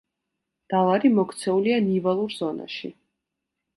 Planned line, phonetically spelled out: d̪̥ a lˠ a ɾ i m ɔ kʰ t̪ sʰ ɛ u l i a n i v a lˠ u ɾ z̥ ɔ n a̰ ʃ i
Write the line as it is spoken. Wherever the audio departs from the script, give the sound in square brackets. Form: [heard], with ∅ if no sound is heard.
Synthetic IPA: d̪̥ a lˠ a ɾ i m ɔ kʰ t̪ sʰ ɛ u l i a n i v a lˠ u ɾ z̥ ɔ n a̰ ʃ i